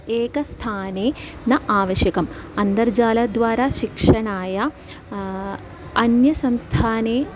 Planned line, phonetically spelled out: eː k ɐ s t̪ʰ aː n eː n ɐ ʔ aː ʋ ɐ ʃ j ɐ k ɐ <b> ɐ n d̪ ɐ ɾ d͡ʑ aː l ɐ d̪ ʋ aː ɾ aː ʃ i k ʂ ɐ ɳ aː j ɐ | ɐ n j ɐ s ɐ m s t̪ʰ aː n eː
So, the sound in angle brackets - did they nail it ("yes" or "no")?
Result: no